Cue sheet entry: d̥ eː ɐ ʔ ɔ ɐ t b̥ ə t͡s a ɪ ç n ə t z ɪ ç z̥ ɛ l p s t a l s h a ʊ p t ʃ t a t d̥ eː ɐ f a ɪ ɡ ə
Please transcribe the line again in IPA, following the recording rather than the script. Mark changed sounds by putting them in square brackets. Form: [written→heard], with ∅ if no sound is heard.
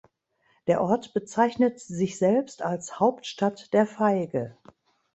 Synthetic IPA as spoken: d̥ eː ɐ ʔ ɔ ɐ t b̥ ə t͡s a ɪ ç n ə t z ɪ ç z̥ ɛ l p s t a l s h a ʊ p t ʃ t a t d̥ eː ɐ f a ɪ ɡ ə